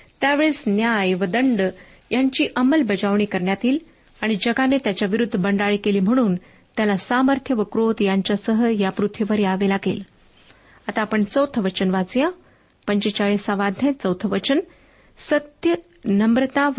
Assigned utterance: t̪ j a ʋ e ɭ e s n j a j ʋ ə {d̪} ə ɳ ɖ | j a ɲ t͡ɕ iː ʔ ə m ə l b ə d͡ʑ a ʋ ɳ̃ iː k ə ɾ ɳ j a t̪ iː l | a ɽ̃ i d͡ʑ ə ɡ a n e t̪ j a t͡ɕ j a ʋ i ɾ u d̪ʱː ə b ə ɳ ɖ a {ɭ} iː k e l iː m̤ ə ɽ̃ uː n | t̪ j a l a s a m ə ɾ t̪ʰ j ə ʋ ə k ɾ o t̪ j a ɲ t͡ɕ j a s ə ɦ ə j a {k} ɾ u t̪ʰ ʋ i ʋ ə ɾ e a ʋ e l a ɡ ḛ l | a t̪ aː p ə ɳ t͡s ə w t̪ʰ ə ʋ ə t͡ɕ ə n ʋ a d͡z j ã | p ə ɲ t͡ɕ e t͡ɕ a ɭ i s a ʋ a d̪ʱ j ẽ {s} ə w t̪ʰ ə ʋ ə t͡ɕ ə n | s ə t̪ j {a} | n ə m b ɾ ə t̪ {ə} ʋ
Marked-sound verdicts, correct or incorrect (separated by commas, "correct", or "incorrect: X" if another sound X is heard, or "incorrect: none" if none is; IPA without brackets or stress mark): correct, correct, incorrect: p, incorrect: t͡s, incorrect: ə, incorrect: a